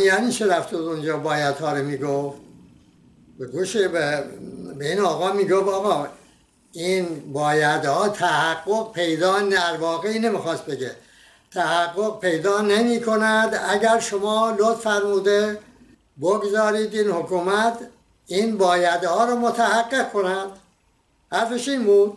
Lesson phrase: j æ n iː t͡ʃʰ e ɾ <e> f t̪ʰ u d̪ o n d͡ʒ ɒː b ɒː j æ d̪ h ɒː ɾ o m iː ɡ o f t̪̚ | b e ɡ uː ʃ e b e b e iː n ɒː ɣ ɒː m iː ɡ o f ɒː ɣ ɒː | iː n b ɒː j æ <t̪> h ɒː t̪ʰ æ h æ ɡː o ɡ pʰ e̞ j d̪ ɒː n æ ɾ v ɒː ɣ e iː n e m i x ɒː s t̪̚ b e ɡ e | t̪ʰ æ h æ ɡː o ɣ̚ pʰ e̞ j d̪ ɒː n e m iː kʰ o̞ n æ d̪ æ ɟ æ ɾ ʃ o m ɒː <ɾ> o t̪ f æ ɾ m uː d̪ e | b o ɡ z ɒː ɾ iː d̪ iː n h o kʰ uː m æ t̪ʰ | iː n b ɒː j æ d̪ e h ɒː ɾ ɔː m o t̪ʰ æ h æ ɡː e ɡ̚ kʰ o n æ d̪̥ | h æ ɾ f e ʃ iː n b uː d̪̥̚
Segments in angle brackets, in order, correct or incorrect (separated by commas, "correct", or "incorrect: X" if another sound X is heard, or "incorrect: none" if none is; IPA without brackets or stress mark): incorrect: æ, incorrect: d̪, incorrect: l